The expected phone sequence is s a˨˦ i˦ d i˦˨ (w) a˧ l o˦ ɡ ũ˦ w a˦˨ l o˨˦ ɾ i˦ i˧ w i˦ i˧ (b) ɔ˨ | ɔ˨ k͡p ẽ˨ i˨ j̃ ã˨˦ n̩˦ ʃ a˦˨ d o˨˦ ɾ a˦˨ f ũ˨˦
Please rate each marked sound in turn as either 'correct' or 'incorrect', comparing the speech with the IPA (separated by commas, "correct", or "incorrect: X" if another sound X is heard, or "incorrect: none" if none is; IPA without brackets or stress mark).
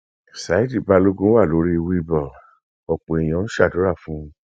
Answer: incorrect: b, correct